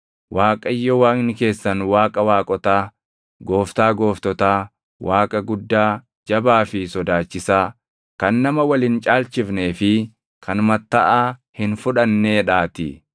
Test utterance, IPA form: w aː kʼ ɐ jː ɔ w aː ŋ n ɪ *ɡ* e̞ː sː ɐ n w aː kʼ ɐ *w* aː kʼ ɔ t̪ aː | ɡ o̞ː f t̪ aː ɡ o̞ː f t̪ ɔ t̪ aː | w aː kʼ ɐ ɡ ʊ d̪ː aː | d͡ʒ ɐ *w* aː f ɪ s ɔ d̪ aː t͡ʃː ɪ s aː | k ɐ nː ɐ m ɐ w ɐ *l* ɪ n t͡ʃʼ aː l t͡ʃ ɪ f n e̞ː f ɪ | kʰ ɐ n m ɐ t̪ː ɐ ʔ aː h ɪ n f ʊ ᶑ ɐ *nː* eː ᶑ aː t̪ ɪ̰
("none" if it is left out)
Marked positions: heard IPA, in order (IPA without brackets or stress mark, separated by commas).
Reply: k, w, b, l, nː